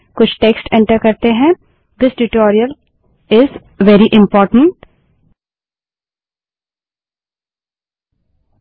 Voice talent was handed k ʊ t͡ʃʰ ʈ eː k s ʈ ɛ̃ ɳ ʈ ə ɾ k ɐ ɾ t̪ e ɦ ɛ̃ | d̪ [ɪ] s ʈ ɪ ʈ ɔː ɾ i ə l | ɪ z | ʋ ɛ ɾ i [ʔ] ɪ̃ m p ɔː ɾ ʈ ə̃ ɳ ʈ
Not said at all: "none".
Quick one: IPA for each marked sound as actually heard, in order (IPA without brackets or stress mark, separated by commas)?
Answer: ɪ, ʔ